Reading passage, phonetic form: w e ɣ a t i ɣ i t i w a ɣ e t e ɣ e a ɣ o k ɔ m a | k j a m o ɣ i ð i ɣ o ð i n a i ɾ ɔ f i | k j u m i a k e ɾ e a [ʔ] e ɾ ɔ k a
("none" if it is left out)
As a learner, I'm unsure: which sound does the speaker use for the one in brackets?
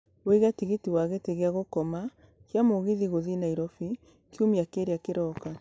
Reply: k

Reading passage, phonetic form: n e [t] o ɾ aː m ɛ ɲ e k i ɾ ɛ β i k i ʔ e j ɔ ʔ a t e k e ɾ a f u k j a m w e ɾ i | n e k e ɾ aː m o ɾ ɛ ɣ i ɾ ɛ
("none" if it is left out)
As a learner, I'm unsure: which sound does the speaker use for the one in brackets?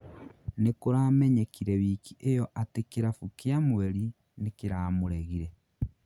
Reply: k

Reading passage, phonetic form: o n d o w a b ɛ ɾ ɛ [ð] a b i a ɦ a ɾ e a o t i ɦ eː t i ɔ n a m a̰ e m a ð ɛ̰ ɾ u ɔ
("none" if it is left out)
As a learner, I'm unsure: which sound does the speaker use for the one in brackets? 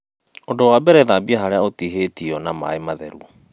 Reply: ð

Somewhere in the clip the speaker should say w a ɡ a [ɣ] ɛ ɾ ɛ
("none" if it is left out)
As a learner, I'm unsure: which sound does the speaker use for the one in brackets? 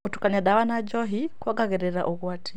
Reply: ɣ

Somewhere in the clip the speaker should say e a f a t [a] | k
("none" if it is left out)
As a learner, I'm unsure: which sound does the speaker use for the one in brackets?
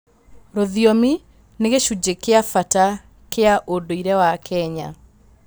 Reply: a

